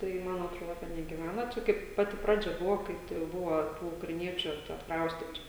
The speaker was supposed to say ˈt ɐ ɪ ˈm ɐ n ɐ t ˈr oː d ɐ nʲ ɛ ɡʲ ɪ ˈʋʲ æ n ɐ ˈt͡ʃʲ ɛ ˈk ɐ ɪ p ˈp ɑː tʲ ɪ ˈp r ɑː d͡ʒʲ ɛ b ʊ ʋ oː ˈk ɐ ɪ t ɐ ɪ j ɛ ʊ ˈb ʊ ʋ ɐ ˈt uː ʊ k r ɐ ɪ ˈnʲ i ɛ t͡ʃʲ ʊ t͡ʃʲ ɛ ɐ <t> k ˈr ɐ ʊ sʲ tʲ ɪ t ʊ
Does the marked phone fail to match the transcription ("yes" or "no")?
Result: no